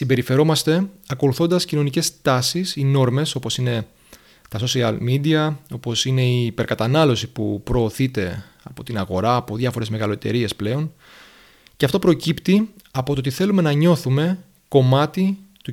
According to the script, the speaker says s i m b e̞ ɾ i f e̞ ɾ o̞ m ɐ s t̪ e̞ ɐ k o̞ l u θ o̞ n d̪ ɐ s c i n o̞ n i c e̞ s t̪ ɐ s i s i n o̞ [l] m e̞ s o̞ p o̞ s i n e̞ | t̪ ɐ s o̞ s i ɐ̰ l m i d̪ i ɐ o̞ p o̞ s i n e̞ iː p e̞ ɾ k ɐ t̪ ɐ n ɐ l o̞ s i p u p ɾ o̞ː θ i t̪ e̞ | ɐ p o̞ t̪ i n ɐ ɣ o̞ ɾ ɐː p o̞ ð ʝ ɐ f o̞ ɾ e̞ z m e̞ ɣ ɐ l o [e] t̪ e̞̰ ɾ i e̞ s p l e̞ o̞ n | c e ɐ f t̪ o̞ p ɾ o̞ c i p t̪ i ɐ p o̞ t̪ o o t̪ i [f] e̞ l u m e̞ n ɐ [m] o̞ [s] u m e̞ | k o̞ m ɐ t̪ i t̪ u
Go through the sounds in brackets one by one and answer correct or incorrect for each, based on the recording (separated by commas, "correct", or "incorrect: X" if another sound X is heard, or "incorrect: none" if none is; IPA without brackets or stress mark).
incorrect: ɾ, correct, incorrect: θ, incorrect: ɲ, incorrect: θ